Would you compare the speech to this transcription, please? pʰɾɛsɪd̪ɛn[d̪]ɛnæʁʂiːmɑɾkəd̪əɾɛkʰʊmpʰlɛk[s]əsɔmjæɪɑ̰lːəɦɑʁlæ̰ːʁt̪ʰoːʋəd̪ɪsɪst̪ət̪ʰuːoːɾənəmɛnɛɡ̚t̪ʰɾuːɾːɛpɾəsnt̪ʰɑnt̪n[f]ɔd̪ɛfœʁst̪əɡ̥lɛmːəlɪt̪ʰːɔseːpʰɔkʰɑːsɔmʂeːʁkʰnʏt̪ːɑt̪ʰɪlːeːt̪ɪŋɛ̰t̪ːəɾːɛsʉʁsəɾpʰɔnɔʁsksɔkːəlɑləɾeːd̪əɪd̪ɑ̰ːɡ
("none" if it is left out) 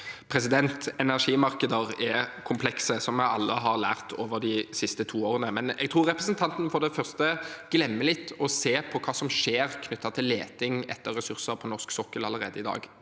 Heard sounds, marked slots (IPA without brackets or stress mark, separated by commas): t̪, s, f